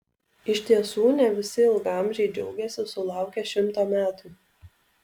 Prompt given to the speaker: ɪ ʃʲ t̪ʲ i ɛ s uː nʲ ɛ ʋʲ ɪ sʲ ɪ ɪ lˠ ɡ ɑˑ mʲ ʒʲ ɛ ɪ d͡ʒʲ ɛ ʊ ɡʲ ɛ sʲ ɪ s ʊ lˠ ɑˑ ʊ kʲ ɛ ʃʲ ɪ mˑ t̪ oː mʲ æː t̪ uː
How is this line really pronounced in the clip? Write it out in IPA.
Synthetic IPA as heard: ɪ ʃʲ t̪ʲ i ɛ s uː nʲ ɛ ʋʲ ɪ sʲ ɪ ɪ lˠ ɡ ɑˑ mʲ ʒʲ ɛ ɪ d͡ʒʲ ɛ ʊ ɡʲ ɛ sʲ ɪ s ʊ lˠ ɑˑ ʊ kʲ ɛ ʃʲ ɪ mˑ t̪ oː mʲ æː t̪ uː